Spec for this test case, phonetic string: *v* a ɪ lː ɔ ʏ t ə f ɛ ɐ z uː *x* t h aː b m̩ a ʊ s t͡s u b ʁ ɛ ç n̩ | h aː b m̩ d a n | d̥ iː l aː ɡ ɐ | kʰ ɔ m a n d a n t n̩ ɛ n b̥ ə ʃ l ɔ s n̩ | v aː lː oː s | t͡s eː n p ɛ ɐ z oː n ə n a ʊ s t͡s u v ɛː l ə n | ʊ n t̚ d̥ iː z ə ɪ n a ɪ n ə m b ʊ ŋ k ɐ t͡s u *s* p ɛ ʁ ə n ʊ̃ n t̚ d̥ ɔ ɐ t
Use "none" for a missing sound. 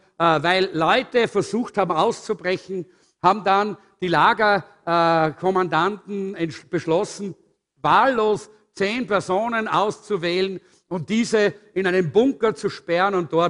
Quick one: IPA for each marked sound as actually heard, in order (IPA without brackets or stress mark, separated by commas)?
v, x, ʃ